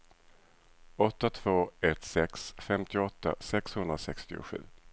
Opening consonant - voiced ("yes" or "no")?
no